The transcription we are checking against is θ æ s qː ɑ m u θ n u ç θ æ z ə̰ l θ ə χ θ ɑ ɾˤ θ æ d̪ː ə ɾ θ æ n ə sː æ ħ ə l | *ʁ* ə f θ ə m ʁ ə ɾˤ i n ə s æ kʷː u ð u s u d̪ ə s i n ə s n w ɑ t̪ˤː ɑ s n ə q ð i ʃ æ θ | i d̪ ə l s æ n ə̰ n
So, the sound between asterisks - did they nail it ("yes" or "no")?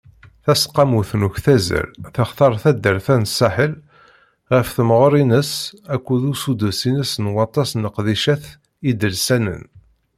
yes